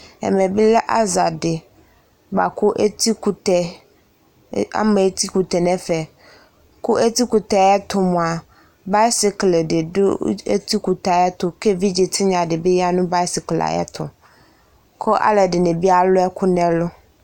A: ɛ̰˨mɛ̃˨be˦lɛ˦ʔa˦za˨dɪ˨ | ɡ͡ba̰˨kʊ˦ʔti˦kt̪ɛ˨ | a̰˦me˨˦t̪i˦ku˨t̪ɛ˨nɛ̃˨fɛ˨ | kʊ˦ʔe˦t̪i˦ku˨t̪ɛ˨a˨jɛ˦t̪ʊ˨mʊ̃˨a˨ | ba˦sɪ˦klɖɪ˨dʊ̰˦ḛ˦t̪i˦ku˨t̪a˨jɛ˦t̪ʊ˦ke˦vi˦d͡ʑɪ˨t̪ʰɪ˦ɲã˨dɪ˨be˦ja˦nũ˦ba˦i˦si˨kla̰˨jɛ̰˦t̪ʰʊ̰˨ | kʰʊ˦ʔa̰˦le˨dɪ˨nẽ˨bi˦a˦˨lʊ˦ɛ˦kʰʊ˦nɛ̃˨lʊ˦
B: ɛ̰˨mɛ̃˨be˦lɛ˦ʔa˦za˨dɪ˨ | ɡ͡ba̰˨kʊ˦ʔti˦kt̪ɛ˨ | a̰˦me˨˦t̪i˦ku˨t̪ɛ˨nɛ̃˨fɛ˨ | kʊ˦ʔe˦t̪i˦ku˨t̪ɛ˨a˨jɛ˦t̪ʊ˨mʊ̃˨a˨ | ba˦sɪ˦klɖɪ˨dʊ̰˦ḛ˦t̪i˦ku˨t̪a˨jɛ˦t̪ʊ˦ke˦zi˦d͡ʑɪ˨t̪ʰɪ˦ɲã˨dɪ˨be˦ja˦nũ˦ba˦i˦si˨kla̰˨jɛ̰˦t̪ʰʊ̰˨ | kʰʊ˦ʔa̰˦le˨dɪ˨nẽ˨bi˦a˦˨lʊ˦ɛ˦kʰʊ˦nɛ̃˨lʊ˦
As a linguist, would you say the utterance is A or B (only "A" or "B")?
A